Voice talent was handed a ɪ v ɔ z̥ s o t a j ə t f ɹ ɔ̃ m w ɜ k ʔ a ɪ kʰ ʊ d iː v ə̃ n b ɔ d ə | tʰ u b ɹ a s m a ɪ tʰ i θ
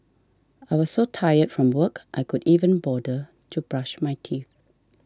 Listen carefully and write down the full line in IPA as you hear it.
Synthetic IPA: a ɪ w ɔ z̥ s o tʰ a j ə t f ɹ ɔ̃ m w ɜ k ʔ a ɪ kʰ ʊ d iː v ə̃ n b ɔ d ə | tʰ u b ɹ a ʃ m a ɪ tʰ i θ